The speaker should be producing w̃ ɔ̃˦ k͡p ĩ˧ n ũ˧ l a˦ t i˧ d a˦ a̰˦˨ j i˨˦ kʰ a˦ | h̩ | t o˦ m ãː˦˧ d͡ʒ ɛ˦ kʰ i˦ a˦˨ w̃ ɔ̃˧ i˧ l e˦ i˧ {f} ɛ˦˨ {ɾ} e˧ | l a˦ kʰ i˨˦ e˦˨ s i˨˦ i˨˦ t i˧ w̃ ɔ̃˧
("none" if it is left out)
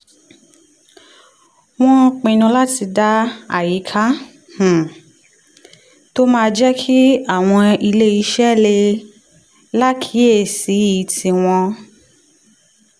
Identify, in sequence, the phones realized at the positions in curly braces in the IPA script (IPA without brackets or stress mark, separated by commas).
ʃ, l